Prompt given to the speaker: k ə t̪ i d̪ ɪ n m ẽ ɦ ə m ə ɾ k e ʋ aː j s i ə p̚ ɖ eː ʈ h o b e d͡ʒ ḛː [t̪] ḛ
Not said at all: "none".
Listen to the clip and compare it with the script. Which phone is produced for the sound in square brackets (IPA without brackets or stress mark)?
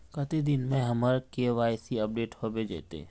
t̪